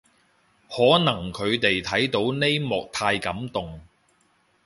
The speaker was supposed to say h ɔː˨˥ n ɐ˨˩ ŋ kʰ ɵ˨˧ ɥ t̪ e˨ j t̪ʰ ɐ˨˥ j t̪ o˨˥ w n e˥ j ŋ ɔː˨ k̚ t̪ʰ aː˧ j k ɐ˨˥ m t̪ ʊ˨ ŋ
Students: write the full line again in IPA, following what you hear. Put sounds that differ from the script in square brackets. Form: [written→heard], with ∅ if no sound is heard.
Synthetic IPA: h ɔː˨˥ n ɐ˨˩ ŋ kʰ ɵ˨˧ ɥ t̪ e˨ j t̪ʰ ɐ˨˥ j t̪ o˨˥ w n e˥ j [ŋ→m] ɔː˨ k̚ t̪ʰ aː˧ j k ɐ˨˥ m t̪ ʊ˨ ŋ